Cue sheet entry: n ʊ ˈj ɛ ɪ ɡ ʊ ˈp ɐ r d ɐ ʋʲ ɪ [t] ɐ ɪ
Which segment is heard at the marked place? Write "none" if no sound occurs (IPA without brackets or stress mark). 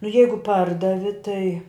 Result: t